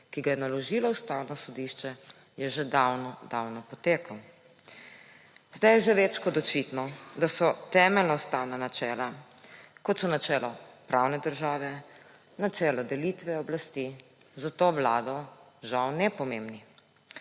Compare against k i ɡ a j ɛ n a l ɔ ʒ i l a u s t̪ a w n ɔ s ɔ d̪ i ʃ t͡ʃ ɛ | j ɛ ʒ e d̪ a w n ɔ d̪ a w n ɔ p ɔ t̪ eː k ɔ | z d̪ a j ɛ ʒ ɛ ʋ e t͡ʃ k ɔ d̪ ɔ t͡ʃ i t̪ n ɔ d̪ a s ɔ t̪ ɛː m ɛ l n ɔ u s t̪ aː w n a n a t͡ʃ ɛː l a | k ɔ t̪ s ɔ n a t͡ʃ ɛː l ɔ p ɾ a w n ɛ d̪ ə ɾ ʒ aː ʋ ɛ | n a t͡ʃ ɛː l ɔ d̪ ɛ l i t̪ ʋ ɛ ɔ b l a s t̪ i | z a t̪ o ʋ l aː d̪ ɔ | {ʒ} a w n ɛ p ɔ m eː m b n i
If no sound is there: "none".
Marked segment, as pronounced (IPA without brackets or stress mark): ʒ